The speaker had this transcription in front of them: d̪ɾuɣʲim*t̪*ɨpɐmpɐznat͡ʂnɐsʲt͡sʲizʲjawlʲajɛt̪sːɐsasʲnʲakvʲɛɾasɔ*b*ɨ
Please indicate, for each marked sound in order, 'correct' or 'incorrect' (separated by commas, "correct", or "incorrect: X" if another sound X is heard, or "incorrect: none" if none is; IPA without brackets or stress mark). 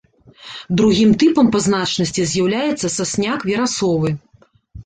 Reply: correct, incorrect: v